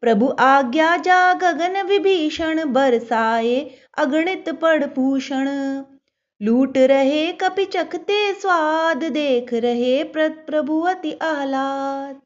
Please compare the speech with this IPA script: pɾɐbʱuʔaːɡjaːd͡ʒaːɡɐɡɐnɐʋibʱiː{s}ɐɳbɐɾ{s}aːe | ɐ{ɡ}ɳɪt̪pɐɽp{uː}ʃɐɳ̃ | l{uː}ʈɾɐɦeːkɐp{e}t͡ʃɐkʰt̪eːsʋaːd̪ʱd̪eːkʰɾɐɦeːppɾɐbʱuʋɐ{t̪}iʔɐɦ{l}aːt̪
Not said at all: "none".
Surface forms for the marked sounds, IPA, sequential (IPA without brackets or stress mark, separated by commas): ʃ, s, ɡ, uː, uː, i, t̪, l